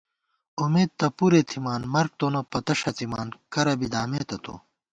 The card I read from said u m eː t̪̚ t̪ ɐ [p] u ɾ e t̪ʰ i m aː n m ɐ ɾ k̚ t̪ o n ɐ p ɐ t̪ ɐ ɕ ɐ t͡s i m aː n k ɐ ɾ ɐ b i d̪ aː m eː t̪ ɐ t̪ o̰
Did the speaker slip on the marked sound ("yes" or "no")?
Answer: no